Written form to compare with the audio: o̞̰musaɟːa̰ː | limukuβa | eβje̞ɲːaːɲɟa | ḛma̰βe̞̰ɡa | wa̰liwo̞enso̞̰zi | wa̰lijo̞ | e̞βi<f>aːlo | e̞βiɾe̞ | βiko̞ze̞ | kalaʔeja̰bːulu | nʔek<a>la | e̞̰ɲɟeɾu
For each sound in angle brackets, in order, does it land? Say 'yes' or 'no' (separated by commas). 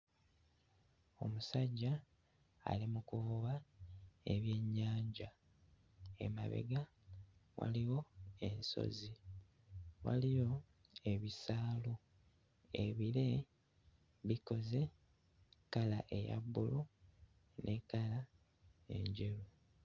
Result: no, yes